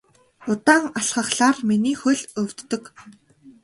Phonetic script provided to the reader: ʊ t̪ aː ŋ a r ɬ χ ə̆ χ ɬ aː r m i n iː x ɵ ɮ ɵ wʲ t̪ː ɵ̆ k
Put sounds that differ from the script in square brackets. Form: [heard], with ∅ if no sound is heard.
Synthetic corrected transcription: ʊ t̪ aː ŋ a [∅] ɬ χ ə̆ χ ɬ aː r m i n iː x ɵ ɮ ɵ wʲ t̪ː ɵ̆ k